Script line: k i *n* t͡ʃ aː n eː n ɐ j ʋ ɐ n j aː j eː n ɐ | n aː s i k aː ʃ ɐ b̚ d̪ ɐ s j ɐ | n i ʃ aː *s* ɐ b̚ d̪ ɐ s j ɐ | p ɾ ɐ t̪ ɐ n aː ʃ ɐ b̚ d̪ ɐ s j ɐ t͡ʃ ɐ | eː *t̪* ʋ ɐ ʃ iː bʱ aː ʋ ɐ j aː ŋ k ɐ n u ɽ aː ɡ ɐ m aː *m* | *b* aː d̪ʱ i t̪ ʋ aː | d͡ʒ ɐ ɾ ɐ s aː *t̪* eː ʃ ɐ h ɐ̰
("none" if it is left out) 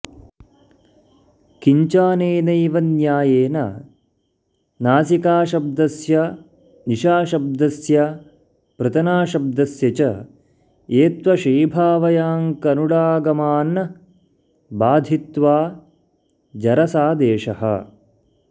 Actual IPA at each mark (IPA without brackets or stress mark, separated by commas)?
ɲ, ʃ, t̪, n, b, d̪